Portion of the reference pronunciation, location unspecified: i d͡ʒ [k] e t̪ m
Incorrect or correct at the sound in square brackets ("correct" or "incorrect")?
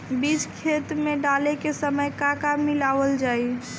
incorrect